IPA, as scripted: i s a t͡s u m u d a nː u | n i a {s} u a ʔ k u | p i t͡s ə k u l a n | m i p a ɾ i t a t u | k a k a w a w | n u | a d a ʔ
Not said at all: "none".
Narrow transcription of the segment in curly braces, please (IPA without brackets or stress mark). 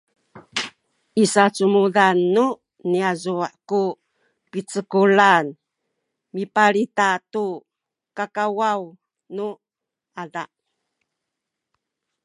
z